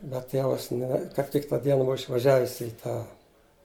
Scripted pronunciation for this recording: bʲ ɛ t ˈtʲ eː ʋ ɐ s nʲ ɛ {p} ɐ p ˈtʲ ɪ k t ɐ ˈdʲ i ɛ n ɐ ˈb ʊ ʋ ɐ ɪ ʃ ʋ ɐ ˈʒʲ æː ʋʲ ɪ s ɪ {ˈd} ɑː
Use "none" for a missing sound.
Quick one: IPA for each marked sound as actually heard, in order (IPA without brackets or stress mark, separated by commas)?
k, t